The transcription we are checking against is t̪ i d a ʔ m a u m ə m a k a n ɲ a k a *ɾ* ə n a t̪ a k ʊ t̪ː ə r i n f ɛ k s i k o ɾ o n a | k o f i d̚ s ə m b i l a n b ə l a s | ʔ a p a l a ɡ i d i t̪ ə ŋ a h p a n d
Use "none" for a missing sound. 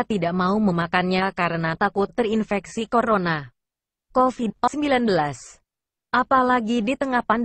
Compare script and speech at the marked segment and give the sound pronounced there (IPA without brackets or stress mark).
ɾ